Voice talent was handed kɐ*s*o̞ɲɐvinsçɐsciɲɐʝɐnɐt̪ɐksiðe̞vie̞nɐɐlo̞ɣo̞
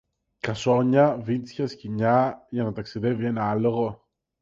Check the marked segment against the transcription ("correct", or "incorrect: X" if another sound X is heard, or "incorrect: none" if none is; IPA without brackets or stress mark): correct